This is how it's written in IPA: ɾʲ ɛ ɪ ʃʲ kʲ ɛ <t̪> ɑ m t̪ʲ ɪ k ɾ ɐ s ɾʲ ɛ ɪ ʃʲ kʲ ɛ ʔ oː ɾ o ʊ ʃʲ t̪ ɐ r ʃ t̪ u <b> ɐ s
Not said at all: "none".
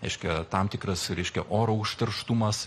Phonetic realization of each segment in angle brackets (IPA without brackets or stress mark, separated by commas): t̪, m